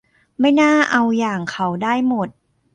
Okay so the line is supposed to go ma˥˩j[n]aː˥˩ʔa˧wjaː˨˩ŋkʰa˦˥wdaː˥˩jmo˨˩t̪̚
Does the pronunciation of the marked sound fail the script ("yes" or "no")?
no